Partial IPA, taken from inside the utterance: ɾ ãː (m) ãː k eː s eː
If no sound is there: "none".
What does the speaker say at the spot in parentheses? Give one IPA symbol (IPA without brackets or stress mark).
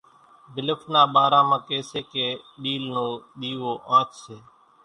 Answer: m